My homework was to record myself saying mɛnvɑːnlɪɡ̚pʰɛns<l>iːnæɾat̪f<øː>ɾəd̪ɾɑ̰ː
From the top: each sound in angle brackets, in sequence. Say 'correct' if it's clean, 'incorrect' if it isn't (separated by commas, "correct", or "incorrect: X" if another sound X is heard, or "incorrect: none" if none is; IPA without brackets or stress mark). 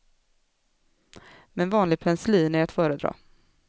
correct, incorrect: œː